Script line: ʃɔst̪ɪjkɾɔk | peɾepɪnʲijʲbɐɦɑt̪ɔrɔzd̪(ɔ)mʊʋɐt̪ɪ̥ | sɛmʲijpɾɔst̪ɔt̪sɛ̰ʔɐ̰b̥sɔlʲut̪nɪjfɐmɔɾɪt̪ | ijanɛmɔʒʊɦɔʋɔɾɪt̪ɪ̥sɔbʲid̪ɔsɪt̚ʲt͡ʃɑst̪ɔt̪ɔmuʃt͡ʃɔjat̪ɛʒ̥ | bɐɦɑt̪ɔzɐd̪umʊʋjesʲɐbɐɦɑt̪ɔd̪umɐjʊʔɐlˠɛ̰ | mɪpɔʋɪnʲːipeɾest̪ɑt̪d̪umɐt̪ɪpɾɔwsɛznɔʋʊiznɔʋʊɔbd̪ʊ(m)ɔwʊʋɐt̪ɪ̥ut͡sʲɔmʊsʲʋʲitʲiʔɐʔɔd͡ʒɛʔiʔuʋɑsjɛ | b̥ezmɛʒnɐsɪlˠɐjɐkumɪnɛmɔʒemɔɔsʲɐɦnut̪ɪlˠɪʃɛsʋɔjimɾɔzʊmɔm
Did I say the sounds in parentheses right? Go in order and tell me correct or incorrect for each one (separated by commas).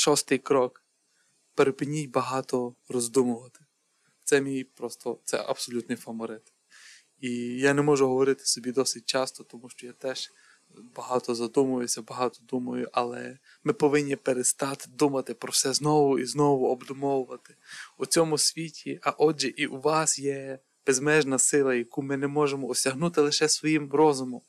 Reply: incorrect, correct